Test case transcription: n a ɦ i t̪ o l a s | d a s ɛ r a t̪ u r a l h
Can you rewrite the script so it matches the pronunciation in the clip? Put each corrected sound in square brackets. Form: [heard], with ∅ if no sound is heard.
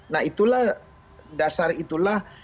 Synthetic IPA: n a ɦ i t̪ [u] l a [h] | d a s [a] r [i] t̪ u [l] a [∅] h